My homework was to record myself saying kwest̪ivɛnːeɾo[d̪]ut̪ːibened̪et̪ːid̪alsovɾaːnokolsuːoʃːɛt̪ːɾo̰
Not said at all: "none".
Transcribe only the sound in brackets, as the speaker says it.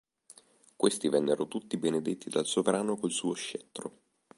t̪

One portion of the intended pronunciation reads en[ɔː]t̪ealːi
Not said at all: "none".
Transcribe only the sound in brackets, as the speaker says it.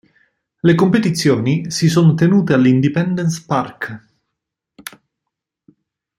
uː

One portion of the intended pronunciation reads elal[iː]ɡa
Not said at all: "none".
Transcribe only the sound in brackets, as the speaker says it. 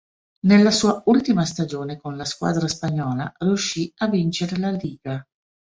iː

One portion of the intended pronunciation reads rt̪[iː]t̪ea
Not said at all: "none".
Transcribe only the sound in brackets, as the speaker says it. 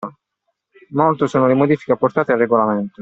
aː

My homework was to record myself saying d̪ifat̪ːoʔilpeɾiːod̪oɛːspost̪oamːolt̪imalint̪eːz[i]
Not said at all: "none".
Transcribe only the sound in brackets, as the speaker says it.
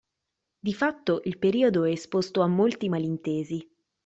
i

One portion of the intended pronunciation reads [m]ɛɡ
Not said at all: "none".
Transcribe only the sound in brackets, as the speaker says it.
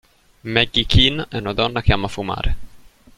m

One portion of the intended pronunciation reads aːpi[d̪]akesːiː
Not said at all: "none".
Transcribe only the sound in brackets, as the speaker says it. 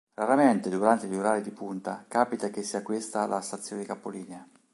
t̪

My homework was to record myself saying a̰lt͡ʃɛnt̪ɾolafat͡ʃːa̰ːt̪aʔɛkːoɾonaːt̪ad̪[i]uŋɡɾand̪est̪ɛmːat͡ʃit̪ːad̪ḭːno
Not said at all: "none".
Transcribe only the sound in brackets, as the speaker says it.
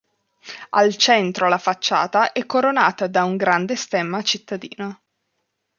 a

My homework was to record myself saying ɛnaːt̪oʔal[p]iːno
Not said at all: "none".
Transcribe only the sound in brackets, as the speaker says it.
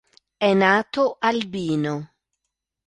b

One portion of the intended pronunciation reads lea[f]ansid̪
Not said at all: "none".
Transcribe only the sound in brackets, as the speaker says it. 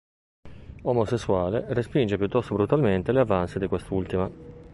v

